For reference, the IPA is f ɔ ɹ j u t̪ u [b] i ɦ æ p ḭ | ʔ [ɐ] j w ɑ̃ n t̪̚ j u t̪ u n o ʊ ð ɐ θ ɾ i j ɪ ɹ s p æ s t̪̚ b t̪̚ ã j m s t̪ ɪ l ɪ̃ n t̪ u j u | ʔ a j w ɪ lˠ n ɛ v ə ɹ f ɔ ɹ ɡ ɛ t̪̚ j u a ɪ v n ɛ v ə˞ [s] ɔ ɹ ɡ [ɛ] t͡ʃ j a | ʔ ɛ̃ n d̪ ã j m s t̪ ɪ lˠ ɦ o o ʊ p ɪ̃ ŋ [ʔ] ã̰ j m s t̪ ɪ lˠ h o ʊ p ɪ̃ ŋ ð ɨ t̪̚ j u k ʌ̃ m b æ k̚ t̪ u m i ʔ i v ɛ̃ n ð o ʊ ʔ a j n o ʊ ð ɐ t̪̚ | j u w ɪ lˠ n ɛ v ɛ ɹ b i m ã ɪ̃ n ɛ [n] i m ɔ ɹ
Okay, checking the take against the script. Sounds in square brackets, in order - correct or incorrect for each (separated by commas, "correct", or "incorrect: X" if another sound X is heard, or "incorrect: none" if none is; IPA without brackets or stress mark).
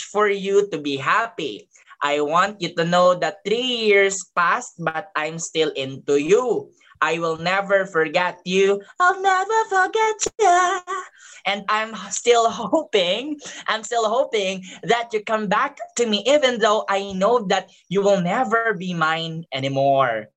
correct, incorrect: a, incorrect: f, correct, correct, correct